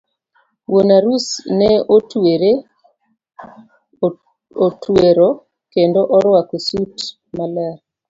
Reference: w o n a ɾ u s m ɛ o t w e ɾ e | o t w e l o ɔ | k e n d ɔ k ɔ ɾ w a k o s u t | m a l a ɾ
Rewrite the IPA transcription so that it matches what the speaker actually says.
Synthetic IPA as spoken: w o n a ɾ u s n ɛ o t w e ɾ e | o t w e ɾ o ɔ | k e n d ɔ ʔ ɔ ɾ w a k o s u t | m a l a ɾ